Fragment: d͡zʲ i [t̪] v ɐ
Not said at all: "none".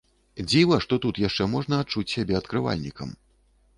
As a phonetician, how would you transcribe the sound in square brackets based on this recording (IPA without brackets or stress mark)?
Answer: none